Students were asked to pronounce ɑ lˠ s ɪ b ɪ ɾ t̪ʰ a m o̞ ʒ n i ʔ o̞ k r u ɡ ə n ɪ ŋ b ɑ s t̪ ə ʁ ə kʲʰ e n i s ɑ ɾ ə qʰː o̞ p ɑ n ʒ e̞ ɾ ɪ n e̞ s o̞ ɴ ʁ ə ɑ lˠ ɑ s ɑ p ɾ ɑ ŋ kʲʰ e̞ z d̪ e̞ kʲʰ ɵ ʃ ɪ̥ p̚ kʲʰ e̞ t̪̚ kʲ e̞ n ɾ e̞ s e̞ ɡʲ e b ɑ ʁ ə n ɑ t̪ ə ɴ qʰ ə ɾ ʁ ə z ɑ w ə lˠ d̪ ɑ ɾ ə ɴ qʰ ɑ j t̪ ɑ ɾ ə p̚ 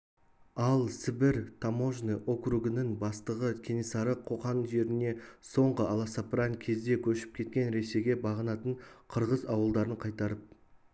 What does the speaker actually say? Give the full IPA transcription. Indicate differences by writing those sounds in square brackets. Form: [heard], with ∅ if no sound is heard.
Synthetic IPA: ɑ lˠ s ɪ b ɪ ɾ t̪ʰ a m o̞ ʒ n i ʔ o̞ k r u ɡ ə n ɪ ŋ b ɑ s t̪ ə ʁ ə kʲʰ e n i s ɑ ɾ ə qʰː o̞ [q] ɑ n ʒ e̞ ɾ ɪ n e̞ s o̞ ɴ ʁ ə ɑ lˠ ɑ s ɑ p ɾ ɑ ŋ kʲʰ e̞ z d̪ e̞ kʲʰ ɵ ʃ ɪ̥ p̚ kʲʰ e̞ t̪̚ kʲ e̞ n ɾ e̞ s e̞ ɡʲ e b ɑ ʁ ə n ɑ t̪ ə ɴ qʰ ə ɾ ʁ ə z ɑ w ə lˠ d̪ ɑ ɾ ə ɴ qʰ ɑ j t̪ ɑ ɾ ə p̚

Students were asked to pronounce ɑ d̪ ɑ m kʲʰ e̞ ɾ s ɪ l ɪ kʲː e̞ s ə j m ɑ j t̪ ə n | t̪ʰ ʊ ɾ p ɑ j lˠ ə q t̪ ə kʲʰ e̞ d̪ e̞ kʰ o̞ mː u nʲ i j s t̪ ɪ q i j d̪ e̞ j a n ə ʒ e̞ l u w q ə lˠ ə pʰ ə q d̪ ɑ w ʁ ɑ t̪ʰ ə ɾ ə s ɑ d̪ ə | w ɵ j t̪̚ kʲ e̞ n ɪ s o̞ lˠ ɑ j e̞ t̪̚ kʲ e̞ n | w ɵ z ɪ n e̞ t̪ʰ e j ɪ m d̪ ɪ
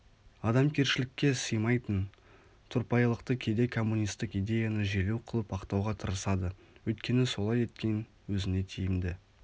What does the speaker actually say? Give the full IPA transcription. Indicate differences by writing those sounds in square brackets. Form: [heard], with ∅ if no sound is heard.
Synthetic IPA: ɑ d̪ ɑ m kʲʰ e̞ ɾ [ʃ] ɪ l ɪ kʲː e̞ s ə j m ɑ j t̪ ə n | t̪ʰ ʊ ɾ p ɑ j lˠ ə q t̪ ə kʲʰ e̞ d̪ e̞ kʰ o̞ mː u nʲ i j s t̪ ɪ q i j d̪ e̞ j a n ə ʒ e̞ l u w [qʰ] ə lˠ ə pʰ [ɑ] q [t̪] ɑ w ʁ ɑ t̪ʰ ə ɾ ə s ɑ d̪ ə | w ɵ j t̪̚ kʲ e̞ n ɪ s o̞ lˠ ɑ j e̞ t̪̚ kʲ e̞ n | w ɵ z ɪ n e̞ t̪ʰ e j ɪ m d̪ ɪ

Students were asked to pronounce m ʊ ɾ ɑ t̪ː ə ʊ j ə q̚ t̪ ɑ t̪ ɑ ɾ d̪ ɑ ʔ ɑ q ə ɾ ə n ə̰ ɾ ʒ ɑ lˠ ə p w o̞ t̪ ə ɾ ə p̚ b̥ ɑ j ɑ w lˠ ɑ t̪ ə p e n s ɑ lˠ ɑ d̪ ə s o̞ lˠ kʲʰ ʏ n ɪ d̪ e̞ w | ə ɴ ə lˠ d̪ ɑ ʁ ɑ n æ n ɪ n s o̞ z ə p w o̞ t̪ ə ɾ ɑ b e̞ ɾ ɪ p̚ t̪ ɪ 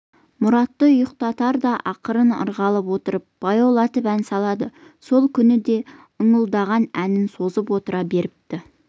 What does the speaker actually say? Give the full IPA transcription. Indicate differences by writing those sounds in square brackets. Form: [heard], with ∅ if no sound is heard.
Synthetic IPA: m ʊ ɾ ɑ t̪ː ə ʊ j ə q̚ t̪ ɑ t̪ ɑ ɾ d̪ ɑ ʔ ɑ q ə ɾ ə n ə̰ ɾ [ʁ] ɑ lˠ ə p w o̞ t̪ ə ɾ ə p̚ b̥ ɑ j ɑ w lˠ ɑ t̪ ə p [æ] n s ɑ lˠ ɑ d̪ ə s o̞ lˠ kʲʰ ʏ n ɪ d̪ e̞ [∅] | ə ɴ ə lˠ d̪ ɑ ʁ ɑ n æ n ɪ n s o̞ z ə p w o̞ t̪ ə ɾ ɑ b e̞ ɾ ɪ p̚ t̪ ɪ

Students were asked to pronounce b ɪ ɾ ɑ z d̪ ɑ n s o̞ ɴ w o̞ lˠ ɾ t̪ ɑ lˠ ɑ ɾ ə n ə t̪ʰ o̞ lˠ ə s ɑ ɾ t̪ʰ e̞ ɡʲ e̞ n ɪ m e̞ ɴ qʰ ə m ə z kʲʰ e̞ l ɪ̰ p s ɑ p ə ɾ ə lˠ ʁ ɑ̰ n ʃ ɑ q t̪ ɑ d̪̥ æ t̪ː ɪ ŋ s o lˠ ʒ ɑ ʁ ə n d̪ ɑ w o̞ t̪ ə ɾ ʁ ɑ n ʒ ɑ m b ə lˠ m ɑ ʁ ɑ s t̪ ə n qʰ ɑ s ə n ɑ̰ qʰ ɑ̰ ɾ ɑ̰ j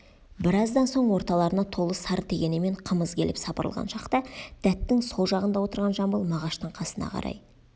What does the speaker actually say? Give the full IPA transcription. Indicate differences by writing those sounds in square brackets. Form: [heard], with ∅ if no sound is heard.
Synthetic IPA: b ɪ ɾ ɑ z d̪ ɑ n s o̞ ɴ w o̞ [∅] ɾ t̪ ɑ lˠ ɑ ɾ ə n [ɑ] t̪ʰ o̞ lˠ ə s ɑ ɾ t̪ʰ e̞ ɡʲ e̞ n ɪ m e̞ ɴ qʰ ə m ə z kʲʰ e̞ l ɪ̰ p s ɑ p ə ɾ ə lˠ ʁ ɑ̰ n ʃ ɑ q t̪ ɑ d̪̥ æ t̪ː ɪ ŋ s o lˠ ʒ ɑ ʁ ə n d̪ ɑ w o̞ t̪ ə ɾ ʁ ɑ n ʒ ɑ m b ə lˠ m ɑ ʁ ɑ [ʃ] t̪ ə [ɴ] qʰ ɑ s ə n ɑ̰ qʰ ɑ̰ ɾ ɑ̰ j

